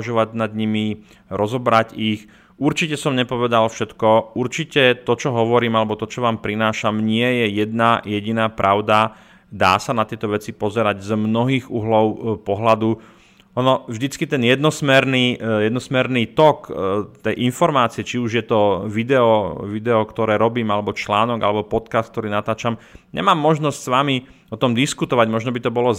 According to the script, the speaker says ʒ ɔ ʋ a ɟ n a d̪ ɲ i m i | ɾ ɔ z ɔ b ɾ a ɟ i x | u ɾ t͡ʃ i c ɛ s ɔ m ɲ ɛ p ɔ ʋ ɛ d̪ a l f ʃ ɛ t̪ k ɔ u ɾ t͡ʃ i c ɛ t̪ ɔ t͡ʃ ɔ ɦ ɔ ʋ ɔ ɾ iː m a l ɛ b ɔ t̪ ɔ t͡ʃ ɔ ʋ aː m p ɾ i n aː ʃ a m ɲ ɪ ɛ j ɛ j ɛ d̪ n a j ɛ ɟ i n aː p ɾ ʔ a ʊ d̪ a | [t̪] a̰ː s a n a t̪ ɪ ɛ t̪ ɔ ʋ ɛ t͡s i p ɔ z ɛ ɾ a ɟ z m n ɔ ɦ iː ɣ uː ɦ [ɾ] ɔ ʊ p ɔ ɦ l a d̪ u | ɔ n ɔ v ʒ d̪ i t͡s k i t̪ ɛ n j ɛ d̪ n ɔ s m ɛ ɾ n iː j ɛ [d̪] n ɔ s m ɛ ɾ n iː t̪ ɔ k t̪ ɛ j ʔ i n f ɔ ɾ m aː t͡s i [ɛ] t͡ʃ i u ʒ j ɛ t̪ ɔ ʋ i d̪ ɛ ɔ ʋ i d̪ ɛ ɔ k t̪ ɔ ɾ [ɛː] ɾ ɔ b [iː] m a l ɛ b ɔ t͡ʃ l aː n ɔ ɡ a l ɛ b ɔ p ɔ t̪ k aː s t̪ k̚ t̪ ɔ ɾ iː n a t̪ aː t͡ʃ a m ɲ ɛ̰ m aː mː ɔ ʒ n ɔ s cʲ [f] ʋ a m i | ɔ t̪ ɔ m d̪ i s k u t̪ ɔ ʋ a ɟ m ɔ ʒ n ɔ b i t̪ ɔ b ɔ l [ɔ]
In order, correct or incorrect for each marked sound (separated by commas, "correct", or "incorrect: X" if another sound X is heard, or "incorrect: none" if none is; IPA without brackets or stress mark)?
incorrect: d̪, incorrect: l, correct, correct, correct, correct, incorrect: s, correct